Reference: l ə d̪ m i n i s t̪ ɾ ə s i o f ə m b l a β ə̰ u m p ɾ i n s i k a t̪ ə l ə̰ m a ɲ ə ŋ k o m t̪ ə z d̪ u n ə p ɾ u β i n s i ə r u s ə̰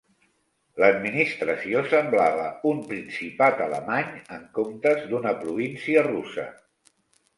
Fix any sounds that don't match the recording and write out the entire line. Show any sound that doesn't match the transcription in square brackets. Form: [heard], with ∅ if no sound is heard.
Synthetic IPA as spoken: l ə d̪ m i n i s t̪ ɾ ə s i o [s] ə m b l a β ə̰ u m p ɾ i n s i [p] a t̪ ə l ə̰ m a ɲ ə ŋ k o m t̪ ə z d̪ u n ə p ɾ u β i n s i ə r u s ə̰